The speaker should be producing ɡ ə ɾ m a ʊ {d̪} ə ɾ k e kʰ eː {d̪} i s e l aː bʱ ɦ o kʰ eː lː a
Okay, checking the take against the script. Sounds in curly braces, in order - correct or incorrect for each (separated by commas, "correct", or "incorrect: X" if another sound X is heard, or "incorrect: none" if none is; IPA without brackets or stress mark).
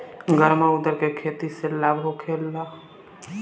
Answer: correct, incorrect: t̪